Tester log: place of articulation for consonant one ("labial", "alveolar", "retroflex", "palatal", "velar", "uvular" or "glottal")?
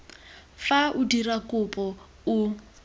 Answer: labial